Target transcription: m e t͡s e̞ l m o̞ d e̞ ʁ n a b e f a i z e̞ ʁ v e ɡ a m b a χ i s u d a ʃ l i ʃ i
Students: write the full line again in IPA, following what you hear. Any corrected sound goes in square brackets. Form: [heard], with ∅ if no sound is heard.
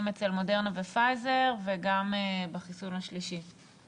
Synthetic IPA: m e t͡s e̞ l m o̞ d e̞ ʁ n a [v] e f a [j] z e̞ ʁ v e ɡ a m b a χ i s u [n] a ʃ l i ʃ i